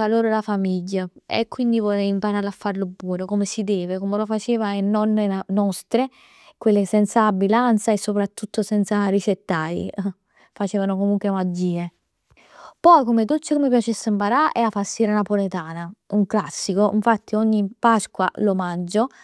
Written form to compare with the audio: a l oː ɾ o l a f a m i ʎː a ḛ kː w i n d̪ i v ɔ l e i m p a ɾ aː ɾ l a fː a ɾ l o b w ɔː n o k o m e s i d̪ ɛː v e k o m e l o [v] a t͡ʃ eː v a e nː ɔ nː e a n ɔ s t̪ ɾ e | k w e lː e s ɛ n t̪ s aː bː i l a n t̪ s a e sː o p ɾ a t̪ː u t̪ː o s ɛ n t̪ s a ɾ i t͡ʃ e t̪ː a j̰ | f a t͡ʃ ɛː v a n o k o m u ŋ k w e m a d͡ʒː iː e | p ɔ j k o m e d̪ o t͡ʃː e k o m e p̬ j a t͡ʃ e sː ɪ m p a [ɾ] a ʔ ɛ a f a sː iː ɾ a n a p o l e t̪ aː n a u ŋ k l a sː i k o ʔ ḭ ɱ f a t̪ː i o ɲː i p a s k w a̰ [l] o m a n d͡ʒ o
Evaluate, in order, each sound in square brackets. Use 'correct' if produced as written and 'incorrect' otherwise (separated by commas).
incorrect, correct, correct